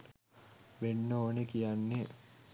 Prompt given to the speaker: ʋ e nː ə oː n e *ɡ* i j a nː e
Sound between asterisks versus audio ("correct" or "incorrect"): incorrect